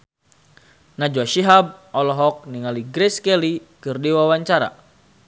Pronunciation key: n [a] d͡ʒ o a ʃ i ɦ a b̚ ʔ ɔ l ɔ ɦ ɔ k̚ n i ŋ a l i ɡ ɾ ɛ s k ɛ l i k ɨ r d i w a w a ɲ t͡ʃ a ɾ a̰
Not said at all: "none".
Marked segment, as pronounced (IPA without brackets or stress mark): a